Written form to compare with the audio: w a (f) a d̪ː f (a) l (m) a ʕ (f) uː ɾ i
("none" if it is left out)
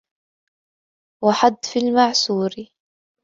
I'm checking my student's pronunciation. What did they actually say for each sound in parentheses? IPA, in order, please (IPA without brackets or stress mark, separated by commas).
ħ, i, m, s